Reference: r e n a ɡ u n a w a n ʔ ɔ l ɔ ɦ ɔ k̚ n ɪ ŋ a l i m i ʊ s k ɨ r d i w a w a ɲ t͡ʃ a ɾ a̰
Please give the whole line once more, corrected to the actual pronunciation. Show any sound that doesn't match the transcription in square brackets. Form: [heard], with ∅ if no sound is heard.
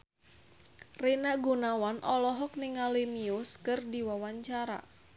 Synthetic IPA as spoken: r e n a ɡ u n a w a n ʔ ɔ l ɔ ɦ ɔ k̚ n ɪ ŋ a l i m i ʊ s k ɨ r d i w a w a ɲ t͡ʃ a ɾ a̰